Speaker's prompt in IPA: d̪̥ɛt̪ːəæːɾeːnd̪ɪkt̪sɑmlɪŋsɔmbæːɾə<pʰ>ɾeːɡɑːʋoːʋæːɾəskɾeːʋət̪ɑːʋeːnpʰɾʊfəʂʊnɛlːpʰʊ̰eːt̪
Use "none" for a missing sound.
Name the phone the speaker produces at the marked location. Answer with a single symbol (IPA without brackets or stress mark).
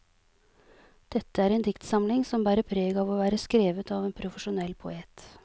pʰ